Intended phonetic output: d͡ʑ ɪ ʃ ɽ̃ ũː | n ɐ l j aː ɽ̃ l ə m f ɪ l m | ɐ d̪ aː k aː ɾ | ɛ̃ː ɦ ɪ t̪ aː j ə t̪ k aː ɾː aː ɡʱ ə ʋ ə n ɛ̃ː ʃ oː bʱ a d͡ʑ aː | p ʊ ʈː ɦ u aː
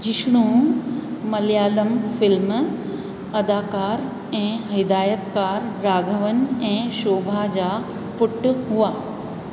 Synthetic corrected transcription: d͡ʑ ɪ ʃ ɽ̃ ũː | m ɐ l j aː l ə m f ɪ l m | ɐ d̪ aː k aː ɾ | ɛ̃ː ɦ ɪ d̪ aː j ə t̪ k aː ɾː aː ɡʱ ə ʋ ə n ɛ̃ː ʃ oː bʱ a d͡ʑ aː | p ʊ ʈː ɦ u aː